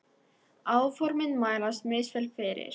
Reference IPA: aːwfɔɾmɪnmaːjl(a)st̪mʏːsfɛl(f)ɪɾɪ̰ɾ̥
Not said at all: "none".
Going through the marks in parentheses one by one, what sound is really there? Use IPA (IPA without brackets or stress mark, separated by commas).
a, f